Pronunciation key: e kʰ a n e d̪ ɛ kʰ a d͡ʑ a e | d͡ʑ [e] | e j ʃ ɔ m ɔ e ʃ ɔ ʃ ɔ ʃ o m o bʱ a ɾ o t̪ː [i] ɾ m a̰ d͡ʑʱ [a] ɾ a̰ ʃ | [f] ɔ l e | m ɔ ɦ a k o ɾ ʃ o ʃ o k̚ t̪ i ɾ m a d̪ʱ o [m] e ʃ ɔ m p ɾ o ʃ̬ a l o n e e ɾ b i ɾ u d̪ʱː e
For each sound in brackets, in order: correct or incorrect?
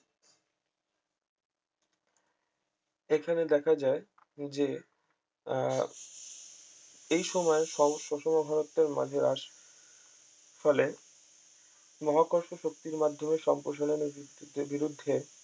correct, incorrect, incorrect, correct, correct

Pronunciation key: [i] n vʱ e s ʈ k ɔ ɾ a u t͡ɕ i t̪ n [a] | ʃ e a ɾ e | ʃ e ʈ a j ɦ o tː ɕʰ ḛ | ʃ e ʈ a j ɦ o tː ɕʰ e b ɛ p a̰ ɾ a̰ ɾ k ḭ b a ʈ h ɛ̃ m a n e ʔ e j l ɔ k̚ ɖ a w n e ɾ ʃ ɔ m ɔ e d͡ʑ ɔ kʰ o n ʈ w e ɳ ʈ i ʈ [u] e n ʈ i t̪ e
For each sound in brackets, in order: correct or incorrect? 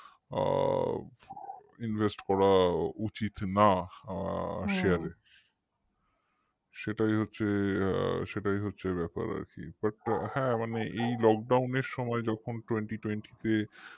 correct, correct, incorrect

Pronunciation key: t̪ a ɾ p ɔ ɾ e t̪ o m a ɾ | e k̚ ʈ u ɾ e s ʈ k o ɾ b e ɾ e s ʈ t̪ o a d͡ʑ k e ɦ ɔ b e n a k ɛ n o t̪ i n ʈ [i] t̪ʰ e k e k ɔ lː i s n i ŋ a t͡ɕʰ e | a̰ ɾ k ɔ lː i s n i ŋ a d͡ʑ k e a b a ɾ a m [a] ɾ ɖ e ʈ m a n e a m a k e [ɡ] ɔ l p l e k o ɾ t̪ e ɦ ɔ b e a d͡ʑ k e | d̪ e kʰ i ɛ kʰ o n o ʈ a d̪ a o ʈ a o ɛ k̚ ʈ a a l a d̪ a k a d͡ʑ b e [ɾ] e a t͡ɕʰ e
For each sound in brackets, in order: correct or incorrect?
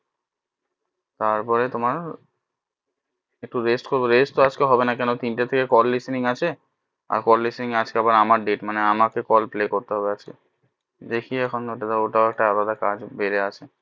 incorrect, correct, incorrect, correct

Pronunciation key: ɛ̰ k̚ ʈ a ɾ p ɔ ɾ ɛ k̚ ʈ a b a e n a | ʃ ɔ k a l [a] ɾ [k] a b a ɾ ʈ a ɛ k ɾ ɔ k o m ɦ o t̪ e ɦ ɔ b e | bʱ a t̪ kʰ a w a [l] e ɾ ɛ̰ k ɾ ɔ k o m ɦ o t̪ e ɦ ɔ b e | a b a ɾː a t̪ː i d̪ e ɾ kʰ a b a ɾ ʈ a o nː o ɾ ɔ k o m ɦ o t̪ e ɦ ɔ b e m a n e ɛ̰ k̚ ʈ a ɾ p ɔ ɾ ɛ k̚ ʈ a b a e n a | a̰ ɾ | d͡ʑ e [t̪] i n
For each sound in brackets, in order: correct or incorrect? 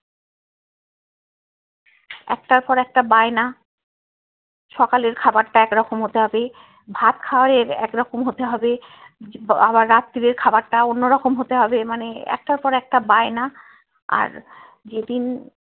incorrect, incorrect, incorrect, incorrect

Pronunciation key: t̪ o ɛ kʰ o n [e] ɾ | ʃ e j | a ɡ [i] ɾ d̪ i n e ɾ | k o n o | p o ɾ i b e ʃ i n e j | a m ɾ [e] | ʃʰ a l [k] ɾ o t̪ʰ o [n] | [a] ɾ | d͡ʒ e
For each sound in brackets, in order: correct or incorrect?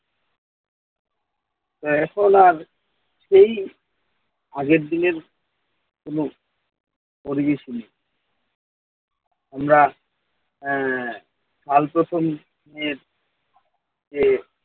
incorrect, incorrect, incorrect, incorrect, incorrect, incorrect

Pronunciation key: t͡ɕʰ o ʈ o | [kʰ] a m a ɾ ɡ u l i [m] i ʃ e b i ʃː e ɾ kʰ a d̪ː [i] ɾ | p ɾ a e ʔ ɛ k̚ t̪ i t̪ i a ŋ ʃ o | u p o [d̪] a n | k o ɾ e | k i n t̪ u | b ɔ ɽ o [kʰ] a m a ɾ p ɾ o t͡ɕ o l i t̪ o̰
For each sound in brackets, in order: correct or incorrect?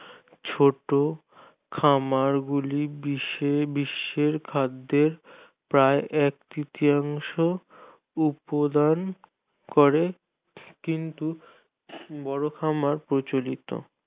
correct, incorrect, incorrect, correct, correct

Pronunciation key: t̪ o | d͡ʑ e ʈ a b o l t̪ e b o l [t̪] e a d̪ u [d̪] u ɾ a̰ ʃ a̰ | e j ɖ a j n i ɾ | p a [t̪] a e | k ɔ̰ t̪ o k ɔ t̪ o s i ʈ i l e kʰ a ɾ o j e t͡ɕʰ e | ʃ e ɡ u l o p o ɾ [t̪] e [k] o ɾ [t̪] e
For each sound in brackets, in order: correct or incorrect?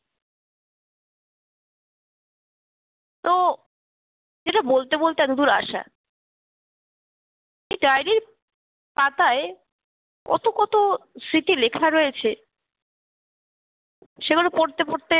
correct, correct, correct, correct, incorrect, correct

